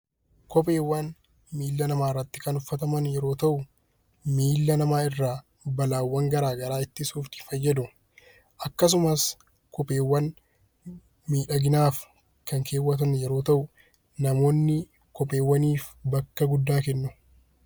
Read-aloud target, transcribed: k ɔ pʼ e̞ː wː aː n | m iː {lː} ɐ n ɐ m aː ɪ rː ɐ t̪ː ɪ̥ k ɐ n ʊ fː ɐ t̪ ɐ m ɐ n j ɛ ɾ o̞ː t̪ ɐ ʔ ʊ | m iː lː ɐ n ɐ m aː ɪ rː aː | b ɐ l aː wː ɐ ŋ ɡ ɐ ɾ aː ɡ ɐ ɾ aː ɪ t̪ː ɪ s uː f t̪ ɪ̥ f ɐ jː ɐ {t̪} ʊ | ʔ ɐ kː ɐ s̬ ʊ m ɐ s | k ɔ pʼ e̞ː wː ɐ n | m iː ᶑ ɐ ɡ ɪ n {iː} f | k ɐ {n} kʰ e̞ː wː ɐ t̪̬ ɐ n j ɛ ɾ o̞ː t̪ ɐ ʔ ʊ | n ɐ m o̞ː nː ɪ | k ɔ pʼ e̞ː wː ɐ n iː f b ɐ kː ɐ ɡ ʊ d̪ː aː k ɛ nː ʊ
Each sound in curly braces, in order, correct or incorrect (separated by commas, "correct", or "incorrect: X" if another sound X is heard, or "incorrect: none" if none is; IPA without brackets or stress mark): correct, incorrect: d̪, incorrect: aː, incorrect: ŋ